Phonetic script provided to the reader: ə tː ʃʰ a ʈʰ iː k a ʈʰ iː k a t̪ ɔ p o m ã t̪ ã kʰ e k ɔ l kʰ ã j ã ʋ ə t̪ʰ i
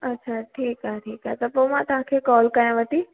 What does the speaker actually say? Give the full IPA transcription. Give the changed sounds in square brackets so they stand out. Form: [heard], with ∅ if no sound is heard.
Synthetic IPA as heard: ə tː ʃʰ a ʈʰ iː k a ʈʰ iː k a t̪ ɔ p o m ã t̪ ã kʰ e k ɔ l [k] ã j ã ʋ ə [t̪] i